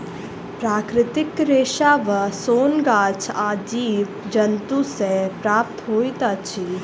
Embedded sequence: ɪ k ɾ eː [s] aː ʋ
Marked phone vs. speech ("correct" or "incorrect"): incorrect